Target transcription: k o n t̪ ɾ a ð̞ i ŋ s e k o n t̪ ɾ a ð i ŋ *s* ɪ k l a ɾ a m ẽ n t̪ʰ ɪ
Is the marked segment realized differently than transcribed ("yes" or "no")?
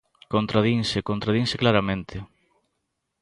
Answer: no